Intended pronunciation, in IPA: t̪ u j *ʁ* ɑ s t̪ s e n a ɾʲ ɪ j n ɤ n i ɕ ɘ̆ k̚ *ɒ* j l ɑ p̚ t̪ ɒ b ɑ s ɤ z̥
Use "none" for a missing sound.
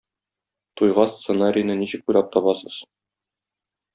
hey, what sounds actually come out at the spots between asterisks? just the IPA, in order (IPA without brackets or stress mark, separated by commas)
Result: ʁ, u